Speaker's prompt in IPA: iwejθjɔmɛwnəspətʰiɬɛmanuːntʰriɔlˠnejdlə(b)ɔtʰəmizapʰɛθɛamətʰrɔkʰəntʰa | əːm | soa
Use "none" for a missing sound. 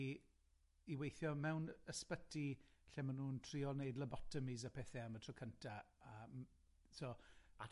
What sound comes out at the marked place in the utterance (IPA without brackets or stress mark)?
b